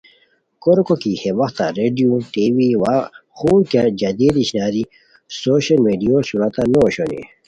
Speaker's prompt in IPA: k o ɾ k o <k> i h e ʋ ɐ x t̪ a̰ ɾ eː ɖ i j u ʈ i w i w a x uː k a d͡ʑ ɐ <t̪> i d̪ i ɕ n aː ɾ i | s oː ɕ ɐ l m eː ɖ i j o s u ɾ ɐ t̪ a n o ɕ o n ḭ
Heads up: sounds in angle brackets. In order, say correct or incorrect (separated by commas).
correct, incorrect